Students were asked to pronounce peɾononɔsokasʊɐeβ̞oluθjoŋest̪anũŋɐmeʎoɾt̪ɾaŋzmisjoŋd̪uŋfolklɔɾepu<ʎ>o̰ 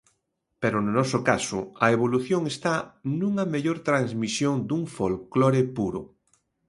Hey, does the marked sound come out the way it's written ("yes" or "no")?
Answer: no